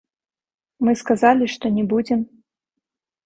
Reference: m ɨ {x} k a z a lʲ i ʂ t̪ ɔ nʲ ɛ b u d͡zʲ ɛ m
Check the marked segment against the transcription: incorrect: s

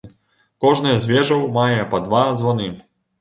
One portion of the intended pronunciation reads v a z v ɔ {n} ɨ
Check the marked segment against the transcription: correct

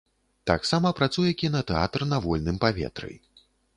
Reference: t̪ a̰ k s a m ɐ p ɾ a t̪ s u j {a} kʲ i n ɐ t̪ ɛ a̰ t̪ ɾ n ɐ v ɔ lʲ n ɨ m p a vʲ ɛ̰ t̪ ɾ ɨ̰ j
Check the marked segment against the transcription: incorrect: ɛ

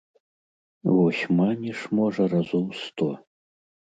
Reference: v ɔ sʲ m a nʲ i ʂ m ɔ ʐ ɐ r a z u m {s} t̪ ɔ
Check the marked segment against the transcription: correct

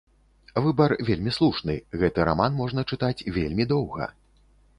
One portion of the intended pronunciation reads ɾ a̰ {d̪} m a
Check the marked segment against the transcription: incorrect: none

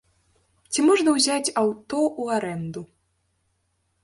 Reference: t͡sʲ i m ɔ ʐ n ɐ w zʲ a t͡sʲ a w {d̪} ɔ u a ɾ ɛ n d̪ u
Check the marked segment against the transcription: incorrect: t̪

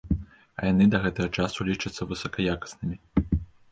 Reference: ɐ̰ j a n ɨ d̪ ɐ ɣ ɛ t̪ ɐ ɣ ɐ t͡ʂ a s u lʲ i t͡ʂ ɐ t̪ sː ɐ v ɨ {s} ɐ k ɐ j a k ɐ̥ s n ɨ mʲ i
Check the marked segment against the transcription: correct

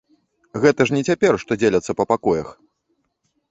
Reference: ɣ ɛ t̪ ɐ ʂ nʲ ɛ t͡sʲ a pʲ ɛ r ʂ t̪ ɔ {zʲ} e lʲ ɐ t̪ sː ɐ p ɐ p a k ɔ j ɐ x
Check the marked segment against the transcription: incorrect: d͡zʲ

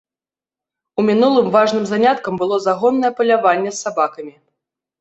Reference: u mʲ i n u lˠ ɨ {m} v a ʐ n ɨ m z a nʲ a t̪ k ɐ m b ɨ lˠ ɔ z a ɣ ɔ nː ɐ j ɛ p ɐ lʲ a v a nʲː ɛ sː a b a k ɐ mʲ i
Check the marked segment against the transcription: correct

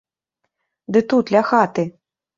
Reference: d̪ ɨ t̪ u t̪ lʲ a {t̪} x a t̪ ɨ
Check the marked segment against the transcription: incorrect: none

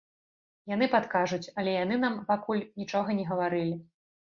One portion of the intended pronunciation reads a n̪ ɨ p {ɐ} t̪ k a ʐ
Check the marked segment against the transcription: incorrect: a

